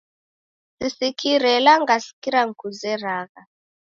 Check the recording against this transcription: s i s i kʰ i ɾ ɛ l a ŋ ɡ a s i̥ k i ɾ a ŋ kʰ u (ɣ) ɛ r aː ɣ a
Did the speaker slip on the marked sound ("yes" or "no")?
yes